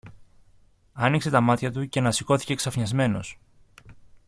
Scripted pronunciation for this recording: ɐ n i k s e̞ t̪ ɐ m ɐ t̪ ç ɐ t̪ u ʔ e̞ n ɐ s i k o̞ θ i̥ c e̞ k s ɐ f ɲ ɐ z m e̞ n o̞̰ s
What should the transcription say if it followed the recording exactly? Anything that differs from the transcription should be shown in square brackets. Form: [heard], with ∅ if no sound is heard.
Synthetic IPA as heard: ɐ n i k s e̞ t̪ ɐ m ɐ t̪ ç ɐ t̪ u [c] e̞ n ɐ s i k o̞ θ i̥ c e̞ k s ɐ f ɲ ɐ z m e̞ n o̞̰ s